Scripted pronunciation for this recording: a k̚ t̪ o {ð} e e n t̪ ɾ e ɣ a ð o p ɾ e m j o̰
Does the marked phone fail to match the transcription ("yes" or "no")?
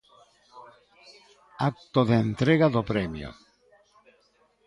no